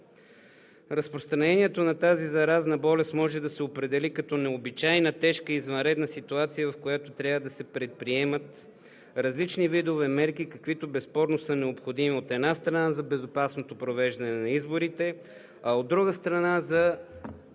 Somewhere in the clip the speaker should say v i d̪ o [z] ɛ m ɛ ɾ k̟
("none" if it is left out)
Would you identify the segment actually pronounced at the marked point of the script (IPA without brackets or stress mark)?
v